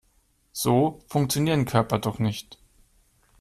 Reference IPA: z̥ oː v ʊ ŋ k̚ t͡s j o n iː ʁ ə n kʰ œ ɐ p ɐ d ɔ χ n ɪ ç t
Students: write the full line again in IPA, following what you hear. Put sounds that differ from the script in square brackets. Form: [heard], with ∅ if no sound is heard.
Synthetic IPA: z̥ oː [f] ʊ ŋ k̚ t͡s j o n iː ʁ ə n kʰ œ ɐ p ɐ d ɔ χ n ɪ ç t